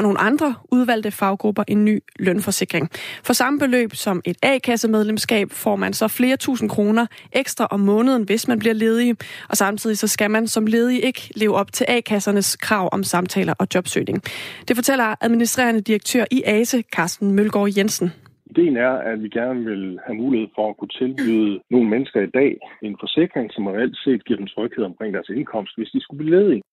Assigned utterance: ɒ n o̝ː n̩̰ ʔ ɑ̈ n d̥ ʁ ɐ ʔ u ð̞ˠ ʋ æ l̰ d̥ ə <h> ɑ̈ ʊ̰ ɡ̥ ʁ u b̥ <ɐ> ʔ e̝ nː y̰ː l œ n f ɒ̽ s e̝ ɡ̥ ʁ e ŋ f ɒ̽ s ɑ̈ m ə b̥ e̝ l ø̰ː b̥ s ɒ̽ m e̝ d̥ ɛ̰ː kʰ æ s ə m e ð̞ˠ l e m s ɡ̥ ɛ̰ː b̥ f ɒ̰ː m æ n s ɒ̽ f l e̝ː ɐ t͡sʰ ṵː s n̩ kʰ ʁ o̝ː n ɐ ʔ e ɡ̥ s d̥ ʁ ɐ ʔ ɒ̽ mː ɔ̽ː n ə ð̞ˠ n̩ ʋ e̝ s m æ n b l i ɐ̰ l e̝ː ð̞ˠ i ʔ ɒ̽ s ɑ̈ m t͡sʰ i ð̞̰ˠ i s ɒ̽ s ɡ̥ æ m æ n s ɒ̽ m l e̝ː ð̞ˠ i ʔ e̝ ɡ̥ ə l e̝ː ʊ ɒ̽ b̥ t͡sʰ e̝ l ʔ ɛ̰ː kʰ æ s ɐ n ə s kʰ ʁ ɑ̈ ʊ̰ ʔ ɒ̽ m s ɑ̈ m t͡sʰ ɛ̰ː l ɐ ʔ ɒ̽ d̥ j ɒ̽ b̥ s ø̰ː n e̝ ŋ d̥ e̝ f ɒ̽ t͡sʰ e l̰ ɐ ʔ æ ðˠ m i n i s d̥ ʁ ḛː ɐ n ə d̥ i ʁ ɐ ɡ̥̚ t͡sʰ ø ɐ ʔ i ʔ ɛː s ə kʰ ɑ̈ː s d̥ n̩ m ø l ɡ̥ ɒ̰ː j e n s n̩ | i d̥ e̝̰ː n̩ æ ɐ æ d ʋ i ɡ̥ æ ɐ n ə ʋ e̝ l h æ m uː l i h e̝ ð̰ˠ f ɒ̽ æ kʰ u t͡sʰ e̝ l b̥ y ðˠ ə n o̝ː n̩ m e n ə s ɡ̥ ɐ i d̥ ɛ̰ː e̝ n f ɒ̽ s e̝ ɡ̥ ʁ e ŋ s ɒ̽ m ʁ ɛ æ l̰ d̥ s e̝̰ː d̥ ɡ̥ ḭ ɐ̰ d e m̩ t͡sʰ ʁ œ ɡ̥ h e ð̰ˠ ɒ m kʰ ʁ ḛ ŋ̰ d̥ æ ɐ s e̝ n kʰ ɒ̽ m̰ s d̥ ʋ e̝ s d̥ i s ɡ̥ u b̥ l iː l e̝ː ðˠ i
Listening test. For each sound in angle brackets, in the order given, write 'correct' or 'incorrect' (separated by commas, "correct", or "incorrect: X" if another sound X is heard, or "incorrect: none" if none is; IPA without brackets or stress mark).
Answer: incorrect: f, correct